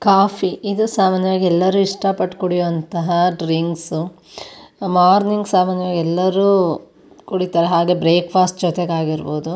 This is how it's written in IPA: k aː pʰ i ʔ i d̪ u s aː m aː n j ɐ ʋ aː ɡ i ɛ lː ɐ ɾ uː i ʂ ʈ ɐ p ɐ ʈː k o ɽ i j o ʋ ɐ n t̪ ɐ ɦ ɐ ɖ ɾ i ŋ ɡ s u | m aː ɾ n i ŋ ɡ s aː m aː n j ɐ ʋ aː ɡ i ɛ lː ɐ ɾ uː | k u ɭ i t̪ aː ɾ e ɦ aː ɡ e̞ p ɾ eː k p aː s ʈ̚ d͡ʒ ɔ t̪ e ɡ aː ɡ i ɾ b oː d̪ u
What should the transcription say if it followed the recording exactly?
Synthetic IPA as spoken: k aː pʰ i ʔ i d̪ u s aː m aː n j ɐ ʋ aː ɡ i ɛ lː ɐ ɾ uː i ʂ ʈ ɐ p ɐ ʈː k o ɽ i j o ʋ ɐ n t̪ ɐ ɦ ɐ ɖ ɾ i ŋ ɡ s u | m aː ɾ n i ŋ ɡ s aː m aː n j ɐ ʋ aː ɡ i ɛ lː ɐ ɾ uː | k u ɽ i t̪ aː ɾ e ɦ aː ɡ e̞ b ɾ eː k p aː s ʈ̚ d͡ʒ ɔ t̪ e ɡ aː ɡ i ɾ b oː d̪ u